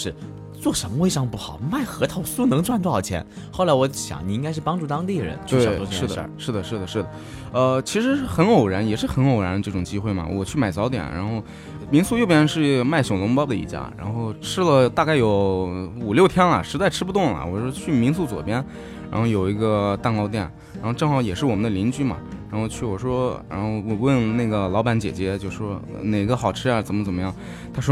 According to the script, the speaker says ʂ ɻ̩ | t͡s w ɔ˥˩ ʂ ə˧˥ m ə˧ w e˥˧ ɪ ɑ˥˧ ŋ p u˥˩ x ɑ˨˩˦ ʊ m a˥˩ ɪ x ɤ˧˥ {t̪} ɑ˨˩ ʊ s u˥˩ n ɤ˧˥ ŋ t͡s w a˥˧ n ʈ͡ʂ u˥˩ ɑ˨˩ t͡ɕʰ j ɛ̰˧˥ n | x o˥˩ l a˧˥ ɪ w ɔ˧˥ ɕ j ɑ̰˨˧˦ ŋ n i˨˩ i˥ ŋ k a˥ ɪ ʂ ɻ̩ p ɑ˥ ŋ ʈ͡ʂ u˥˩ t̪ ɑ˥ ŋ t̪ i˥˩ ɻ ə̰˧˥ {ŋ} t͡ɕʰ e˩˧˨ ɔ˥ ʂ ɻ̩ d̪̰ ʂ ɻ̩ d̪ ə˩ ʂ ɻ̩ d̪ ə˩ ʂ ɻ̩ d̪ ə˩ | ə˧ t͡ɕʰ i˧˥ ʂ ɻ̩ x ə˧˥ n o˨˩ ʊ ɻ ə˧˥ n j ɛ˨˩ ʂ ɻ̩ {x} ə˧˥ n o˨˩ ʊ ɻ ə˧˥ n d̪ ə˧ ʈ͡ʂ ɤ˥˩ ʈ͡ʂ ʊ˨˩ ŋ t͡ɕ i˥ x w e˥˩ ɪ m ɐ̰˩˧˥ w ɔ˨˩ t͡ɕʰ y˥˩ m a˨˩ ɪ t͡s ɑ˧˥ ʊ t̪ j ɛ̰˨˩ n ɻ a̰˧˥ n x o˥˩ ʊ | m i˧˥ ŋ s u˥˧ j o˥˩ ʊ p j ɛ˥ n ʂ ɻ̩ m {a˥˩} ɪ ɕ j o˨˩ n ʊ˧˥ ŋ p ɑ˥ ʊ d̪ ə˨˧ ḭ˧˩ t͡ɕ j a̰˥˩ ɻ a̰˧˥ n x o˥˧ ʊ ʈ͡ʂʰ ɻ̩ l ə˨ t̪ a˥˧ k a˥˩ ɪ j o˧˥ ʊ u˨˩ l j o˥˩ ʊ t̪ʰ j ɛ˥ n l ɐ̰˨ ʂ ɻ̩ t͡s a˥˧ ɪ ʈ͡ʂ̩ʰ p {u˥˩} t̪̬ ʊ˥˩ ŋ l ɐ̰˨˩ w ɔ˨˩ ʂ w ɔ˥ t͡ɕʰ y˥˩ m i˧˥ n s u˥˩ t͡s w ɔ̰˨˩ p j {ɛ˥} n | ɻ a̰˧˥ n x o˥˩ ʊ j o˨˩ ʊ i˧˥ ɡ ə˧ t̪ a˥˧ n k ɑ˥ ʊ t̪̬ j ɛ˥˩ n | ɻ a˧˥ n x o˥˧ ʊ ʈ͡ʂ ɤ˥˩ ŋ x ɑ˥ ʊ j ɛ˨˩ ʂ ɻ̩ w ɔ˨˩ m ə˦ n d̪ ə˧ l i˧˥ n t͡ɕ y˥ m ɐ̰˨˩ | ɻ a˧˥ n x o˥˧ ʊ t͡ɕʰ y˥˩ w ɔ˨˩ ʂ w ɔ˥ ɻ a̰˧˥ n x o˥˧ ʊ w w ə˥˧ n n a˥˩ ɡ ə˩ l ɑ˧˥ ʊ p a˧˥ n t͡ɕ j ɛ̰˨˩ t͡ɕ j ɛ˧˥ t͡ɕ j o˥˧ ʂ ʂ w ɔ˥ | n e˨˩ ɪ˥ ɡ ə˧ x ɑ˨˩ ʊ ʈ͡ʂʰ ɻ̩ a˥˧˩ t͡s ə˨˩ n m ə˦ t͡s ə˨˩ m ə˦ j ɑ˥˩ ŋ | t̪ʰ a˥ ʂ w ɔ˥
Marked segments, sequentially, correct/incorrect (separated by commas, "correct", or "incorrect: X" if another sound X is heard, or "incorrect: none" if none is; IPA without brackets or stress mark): incorrect: t̪ʰ, incorrect: n, correct, correct, incorrect: u˧, correct